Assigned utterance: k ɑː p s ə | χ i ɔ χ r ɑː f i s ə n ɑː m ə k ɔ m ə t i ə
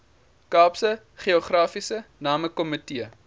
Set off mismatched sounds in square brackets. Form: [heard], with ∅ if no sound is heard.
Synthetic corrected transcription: k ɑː p s ə | χ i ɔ χ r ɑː f i s ə n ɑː m ə k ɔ m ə t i ə